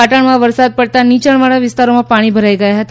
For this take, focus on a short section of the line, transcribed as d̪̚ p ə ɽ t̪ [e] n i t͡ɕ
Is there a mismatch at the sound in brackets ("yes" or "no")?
yes